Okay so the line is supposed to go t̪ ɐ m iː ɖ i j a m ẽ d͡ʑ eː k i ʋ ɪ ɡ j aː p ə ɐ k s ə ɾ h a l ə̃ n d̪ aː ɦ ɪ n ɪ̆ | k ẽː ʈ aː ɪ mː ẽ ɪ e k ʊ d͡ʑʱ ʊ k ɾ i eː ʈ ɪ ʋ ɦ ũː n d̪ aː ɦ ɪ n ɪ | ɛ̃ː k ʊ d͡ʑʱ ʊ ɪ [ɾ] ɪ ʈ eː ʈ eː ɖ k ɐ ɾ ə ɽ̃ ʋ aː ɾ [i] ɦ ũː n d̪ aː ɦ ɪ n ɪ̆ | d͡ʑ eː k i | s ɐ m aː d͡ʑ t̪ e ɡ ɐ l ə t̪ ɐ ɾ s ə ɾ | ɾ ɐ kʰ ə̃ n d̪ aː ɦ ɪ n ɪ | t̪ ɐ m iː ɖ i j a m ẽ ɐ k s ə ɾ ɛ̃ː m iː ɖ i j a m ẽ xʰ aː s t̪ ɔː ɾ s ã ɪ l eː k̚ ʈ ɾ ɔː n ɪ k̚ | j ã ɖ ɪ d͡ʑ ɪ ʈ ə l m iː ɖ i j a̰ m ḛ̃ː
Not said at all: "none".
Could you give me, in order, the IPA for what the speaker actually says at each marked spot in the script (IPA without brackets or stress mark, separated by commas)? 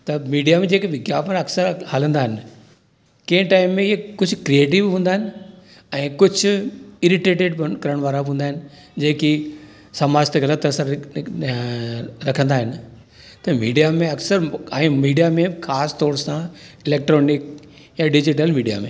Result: ɾ, a